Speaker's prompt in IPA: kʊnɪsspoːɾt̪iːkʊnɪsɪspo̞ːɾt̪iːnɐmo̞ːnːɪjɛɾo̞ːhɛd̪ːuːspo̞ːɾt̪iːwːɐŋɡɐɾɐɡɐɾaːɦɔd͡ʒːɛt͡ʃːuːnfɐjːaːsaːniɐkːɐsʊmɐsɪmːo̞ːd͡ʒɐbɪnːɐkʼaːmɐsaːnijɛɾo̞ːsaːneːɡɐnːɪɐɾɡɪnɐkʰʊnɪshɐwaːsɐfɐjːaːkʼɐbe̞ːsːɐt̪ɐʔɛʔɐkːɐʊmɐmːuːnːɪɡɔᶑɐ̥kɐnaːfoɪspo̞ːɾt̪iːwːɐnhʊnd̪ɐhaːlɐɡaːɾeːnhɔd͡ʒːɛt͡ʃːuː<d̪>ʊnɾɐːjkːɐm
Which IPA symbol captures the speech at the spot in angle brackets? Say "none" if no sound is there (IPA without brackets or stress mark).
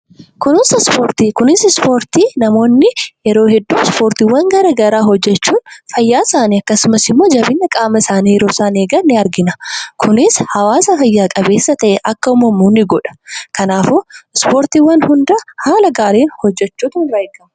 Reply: t̪